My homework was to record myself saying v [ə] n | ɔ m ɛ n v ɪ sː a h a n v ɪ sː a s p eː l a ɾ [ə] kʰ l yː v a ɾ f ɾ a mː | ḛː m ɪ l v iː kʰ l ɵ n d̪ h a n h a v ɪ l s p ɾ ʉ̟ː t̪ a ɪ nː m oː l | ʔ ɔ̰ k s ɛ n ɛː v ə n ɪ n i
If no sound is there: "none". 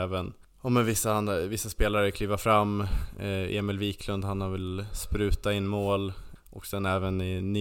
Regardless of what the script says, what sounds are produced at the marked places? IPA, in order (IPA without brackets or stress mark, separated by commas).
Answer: ə, ə